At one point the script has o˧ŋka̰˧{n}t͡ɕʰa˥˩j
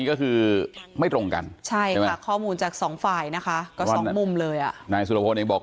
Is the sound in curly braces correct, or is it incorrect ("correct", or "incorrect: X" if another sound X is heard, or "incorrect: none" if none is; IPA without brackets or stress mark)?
correct